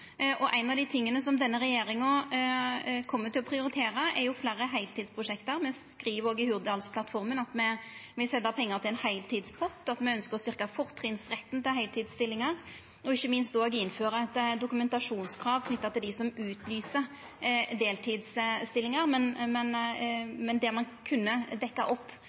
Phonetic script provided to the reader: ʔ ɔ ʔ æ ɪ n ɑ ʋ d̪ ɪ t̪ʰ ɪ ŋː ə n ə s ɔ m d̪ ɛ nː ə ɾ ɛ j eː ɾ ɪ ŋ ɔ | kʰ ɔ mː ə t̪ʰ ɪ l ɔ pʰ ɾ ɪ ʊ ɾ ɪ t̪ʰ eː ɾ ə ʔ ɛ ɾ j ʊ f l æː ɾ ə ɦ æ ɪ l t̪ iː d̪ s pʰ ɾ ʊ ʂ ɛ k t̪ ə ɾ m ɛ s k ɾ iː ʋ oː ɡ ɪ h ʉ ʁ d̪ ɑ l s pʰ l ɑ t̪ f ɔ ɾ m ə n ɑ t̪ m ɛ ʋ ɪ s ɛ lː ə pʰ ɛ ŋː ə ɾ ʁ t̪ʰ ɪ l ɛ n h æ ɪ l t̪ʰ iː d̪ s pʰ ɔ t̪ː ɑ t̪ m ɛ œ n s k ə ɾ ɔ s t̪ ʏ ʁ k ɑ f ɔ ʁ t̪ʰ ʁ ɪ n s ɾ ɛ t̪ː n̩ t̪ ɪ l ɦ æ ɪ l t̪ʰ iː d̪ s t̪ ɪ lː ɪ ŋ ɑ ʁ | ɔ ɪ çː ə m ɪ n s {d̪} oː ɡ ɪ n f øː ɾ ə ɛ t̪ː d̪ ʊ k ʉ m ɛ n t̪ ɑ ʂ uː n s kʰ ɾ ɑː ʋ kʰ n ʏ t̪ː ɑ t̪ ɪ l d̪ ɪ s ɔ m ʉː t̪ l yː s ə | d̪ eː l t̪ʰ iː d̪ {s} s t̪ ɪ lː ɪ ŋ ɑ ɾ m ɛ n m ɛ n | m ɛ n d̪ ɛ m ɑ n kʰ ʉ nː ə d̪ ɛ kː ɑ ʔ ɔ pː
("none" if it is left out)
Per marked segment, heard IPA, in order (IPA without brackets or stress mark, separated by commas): t̪, s